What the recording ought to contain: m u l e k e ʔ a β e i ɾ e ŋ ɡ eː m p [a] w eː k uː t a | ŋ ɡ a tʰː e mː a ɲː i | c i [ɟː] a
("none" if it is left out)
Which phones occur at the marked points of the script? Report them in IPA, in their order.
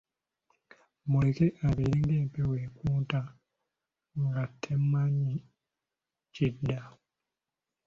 e, dː

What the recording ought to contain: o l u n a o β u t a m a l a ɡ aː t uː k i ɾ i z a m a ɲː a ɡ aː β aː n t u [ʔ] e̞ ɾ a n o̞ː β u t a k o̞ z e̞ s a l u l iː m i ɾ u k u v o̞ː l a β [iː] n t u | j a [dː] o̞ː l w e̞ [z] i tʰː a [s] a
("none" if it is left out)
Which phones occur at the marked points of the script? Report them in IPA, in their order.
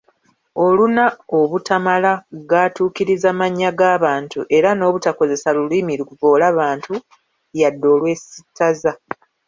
ʔ, aː, dː, s, z

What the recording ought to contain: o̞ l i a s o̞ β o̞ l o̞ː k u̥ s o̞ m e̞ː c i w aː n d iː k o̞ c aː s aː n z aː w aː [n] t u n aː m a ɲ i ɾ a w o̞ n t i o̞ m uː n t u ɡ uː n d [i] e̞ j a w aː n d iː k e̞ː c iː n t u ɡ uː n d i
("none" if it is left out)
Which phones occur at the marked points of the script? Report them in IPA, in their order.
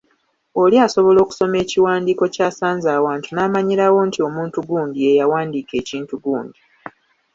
n, i

